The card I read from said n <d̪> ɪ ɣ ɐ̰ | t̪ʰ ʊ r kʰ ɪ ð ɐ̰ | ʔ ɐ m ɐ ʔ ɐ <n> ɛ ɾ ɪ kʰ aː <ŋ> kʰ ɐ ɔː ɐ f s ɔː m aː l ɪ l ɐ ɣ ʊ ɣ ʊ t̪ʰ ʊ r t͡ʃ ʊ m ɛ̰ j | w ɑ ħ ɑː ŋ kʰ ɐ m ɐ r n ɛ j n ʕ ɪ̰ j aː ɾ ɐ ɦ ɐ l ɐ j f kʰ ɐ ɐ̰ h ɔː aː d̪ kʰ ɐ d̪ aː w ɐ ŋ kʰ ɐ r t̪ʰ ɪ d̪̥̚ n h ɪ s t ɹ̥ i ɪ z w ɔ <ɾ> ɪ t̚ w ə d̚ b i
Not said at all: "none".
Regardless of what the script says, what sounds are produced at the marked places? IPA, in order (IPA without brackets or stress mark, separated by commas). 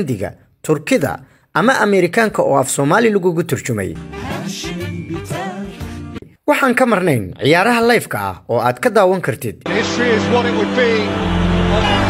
d̪, m, ŋ, ɾ